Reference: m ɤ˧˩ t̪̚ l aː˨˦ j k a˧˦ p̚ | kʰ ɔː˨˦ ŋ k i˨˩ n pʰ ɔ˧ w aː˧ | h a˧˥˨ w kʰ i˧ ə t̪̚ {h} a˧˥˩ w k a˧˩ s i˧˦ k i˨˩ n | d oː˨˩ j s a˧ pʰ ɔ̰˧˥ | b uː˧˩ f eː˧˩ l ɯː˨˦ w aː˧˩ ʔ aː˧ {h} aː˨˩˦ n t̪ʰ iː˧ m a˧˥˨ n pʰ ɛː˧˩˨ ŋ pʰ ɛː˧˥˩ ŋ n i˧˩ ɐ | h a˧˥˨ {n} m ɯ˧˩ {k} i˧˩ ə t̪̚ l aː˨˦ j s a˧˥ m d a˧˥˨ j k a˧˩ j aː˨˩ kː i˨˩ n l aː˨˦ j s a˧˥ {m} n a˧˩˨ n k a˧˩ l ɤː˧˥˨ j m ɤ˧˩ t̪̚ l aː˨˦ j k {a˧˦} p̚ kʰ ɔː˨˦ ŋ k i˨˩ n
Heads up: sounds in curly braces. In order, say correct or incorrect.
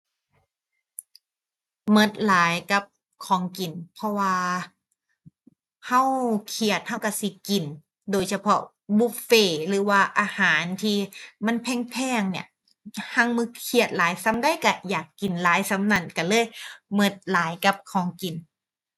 correct, correct, incorrect, incorrect, correct, correct

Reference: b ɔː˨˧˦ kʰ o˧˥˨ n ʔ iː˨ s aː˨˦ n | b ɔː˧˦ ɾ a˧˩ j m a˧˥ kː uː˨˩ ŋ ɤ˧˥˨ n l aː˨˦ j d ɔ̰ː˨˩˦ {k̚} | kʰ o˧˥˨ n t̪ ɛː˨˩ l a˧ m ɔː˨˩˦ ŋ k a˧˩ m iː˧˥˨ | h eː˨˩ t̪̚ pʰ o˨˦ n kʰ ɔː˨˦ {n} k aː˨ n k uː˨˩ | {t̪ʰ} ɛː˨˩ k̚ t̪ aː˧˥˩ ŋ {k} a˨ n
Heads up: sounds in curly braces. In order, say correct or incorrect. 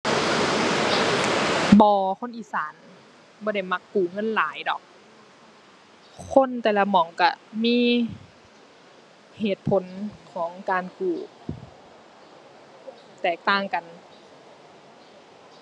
correct, incorrect, incorrect, correct

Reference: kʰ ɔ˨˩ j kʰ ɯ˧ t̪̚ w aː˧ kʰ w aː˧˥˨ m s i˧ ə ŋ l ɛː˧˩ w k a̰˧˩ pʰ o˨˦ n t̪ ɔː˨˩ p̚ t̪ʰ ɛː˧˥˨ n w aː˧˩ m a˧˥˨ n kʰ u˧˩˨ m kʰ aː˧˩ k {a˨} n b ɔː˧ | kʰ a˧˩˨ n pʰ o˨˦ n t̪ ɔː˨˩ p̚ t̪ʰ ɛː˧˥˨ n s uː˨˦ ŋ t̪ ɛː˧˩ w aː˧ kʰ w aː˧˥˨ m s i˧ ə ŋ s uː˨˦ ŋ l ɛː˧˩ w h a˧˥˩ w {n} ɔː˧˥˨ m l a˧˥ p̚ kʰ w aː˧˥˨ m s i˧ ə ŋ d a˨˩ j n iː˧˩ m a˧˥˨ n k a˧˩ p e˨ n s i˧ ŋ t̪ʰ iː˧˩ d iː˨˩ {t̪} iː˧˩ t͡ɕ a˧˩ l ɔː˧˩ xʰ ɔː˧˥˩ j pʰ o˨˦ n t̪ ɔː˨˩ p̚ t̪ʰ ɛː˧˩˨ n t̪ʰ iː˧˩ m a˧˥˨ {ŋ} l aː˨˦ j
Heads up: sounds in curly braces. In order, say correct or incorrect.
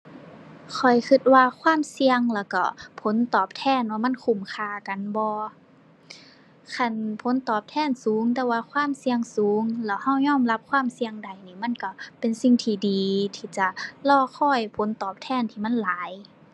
correct, incorrect, incorrect, incorrect

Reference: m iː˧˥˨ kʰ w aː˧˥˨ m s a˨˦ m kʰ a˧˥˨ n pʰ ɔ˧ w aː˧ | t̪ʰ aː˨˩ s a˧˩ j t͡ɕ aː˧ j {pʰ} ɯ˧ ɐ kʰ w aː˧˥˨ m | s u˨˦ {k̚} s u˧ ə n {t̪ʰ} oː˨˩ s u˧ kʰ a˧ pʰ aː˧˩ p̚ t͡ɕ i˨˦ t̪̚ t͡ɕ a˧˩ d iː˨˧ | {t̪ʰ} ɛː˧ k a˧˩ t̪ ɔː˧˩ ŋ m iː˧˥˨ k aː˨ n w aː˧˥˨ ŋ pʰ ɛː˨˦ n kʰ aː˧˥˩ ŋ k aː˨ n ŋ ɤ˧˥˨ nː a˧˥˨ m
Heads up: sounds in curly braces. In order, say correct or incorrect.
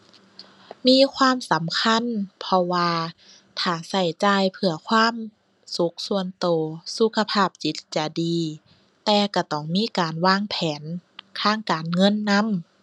correct, correct, incorrect, incorrect

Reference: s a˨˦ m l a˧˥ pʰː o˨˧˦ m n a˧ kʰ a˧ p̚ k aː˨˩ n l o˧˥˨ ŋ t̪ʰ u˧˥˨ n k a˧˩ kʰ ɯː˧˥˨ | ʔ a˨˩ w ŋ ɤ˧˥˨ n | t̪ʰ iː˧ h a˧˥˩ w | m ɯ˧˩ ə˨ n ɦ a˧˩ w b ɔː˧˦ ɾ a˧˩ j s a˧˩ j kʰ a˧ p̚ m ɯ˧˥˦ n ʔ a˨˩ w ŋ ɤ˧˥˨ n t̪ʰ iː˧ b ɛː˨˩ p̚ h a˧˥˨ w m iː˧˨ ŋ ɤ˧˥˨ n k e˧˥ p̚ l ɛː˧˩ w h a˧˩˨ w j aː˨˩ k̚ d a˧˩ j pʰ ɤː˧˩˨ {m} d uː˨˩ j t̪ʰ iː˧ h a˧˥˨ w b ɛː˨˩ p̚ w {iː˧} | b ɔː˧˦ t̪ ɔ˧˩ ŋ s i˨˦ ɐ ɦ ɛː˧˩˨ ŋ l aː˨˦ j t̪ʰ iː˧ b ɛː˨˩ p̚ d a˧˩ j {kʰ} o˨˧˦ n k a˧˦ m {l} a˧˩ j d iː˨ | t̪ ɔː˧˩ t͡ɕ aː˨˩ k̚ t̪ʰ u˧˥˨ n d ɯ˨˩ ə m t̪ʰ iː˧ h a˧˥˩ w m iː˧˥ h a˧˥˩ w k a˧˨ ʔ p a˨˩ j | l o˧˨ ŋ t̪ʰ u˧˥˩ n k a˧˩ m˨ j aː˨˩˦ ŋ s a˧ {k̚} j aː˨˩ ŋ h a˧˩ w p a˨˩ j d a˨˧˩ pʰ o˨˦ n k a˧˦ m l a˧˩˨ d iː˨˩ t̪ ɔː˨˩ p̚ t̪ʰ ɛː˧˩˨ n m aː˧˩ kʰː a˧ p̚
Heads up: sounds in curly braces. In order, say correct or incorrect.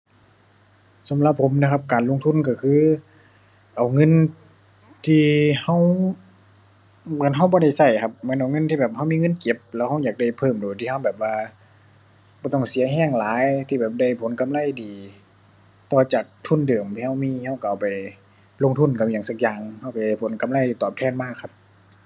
correct, incorrect, incorrect, correct, correct

